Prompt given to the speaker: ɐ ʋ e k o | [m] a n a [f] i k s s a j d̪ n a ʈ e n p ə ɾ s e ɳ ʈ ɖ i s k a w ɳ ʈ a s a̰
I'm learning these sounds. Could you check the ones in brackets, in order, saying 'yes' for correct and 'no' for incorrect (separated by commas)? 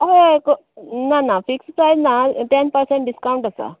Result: no, yes